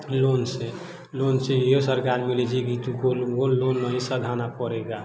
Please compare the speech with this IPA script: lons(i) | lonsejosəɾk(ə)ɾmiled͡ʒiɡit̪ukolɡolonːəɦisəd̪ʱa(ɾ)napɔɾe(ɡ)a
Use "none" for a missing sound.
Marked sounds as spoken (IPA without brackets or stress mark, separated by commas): e, a, none, ɡ